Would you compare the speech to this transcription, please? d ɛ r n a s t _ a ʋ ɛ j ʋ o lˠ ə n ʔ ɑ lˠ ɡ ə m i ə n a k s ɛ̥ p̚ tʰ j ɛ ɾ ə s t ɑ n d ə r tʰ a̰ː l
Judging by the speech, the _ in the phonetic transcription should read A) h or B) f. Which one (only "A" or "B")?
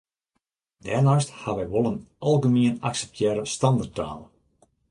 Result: A